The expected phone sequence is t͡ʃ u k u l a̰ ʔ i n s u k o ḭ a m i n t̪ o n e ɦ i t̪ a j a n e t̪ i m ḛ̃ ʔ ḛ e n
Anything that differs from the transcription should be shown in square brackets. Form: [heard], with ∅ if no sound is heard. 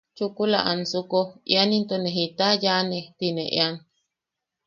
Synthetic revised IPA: t͡ʃ u k u l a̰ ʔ [a] n s u k o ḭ a [n] i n t̪ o n e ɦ i t̪ a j a n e t̪ i [n] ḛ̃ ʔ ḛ [a] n